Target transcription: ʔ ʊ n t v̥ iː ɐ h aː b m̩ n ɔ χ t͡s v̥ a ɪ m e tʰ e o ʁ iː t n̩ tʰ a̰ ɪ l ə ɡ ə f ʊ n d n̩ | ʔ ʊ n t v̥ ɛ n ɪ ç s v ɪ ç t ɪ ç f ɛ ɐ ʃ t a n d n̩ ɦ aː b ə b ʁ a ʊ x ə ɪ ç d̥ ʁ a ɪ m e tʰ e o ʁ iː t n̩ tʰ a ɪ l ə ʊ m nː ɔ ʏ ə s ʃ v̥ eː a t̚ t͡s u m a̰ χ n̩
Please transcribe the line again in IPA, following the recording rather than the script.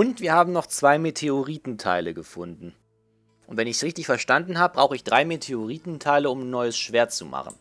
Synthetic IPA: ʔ ʊ n t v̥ iː ɐ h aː b m̩ n ɔ χ t͡s v̥ a ɪ m e tʰ e o ʁ iː t n̩ tʰ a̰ ɪ l ə ɡ ə f ʊ n d n̩ | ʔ ʊ n t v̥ ɛ n ɪ ç s ʁ ɪ ç t ɪ ç f ɛ ɐ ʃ t a n d n̩ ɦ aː b ə b ʁ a ʊ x ə ɪ ç d̥ ʁ a ɪ m e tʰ e o ʁ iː t n̩ tʰ a ɪ l ə ʊ m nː ɔ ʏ ə s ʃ v̥ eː ɐ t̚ t͡s u m a̰ χ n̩